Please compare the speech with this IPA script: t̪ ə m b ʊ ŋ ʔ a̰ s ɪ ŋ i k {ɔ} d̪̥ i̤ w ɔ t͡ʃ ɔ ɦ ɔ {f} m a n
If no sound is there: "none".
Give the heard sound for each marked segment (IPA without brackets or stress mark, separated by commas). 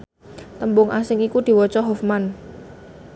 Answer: u, f